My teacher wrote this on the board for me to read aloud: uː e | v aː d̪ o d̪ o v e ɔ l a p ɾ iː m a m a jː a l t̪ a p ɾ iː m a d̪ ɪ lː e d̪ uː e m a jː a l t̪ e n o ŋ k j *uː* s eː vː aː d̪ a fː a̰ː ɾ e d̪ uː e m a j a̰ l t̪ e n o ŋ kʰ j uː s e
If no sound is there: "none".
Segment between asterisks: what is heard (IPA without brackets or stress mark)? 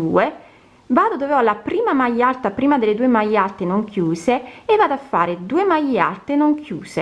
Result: uː